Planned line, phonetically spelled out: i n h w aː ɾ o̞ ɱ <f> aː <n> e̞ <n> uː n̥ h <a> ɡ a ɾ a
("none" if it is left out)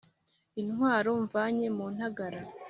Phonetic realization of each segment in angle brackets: v, ɲ, m, a

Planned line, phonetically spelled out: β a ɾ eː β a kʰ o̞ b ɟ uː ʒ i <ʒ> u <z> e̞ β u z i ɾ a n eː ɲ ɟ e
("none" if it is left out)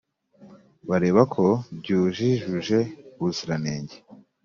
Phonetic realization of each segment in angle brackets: ʒ, ʒ

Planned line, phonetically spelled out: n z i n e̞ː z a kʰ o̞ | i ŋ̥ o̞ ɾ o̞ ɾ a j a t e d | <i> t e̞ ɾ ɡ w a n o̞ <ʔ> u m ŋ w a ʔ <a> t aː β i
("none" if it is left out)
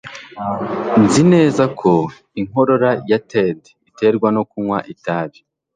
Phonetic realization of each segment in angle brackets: i, k, i

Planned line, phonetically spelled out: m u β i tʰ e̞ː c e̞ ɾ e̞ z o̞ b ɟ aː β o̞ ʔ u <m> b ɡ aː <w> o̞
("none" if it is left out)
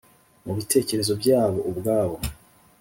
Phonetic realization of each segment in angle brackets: none, β

